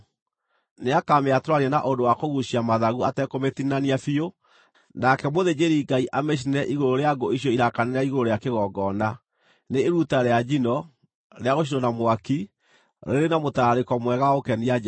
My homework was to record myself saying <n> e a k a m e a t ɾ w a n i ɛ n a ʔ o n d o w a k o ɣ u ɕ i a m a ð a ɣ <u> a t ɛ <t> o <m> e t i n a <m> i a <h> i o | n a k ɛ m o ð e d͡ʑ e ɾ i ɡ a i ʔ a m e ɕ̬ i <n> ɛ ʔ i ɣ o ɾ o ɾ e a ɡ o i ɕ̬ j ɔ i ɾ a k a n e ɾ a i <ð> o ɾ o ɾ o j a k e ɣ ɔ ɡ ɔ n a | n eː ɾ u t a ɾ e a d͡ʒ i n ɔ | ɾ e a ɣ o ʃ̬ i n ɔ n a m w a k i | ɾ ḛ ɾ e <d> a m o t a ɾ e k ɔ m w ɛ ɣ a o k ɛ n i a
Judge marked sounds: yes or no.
yes, yes, no, yes, no, no, yes, no, no

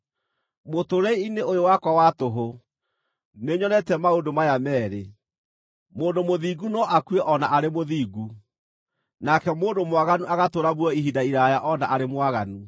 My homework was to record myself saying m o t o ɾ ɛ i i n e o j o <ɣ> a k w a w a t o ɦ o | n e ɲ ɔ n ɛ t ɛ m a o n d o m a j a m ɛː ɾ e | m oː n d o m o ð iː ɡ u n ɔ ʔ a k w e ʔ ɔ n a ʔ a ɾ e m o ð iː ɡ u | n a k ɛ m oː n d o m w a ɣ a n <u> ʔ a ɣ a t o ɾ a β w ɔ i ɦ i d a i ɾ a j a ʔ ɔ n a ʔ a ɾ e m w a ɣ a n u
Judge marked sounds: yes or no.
no, yes

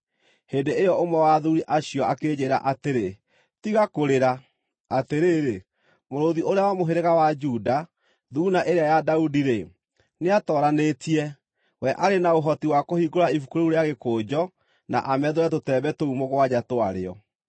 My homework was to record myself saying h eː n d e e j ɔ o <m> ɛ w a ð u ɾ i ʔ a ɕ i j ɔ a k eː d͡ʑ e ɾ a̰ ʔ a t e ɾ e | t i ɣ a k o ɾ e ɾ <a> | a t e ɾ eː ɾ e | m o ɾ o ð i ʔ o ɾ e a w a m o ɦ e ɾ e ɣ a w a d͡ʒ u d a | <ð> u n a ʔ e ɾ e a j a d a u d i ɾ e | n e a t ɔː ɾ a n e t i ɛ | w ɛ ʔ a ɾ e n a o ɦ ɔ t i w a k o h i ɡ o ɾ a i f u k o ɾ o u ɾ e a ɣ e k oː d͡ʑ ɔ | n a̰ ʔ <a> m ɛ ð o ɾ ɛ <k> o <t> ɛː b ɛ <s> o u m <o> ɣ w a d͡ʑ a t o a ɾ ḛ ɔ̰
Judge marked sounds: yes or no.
yes, yes, yes, yes, no, yes, no, yes

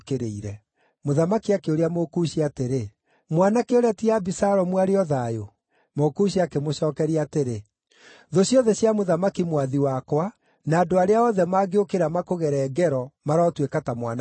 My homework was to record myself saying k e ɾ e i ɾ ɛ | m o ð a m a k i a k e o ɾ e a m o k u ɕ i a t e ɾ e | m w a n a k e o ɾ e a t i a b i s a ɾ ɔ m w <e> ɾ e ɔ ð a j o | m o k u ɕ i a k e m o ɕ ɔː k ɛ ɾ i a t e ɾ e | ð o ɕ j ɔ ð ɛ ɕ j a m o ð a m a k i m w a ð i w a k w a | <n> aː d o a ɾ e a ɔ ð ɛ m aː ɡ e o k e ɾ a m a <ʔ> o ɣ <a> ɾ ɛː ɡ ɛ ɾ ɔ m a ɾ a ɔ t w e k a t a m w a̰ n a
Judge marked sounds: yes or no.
no, yes, no, no

